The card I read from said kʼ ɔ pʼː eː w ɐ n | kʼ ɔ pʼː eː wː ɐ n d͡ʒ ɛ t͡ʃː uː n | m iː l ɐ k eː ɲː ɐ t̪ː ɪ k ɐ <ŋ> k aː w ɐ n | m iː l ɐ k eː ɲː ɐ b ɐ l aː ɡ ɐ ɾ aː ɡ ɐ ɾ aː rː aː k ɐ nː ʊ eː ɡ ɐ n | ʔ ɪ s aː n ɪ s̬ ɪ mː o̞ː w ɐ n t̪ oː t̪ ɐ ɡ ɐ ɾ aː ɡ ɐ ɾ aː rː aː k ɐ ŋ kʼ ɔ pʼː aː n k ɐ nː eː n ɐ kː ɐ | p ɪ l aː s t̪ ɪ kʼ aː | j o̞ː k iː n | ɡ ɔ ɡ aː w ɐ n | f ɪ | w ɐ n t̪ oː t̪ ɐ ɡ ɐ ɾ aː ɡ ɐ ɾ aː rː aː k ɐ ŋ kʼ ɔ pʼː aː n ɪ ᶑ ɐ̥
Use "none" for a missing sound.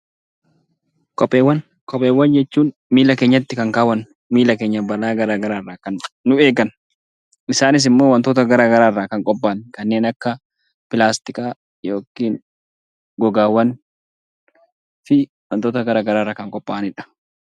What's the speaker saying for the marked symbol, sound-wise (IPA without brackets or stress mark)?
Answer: ŋ